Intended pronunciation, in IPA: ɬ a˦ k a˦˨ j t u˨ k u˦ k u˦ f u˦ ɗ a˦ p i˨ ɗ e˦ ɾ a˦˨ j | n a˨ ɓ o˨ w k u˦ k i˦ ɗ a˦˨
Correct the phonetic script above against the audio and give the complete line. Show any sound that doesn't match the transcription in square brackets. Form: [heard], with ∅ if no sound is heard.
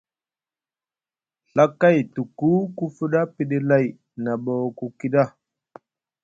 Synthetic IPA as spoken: ɬ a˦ k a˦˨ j t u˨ k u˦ k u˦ f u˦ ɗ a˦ p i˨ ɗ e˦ [l] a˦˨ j | n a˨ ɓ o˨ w k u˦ k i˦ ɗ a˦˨